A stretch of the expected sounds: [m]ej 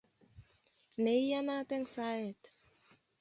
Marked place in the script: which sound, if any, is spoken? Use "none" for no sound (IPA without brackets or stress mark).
n